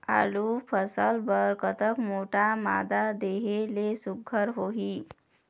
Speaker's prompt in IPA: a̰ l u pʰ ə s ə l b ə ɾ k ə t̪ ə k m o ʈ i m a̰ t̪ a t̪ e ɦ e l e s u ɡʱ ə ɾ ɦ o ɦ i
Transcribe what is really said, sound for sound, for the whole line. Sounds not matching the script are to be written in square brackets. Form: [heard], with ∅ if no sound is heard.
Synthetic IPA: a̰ l u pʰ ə s ə l b ə ɾ k ə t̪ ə k m o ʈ [a] m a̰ [d̪] a [d̪] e ɦ e l e s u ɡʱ ə ɾ ɦ o ɦ i